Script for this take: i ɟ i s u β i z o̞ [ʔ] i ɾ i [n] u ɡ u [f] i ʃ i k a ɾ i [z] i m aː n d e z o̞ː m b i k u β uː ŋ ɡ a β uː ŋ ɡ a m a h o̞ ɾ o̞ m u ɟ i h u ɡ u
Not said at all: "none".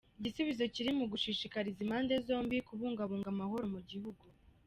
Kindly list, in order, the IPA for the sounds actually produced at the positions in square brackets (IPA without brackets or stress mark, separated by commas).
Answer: c, m, ʃ, z